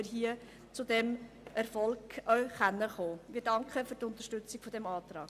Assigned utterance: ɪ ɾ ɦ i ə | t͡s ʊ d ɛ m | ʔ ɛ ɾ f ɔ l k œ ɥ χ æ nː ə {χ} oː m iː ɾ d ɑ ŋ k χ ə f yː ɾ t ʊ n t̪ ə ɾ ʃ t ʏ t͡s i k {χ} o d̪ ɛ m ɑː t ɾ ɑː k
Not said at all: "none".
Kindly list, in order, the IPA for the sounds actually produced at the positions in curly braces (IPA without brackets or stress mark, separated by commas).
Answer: χ, f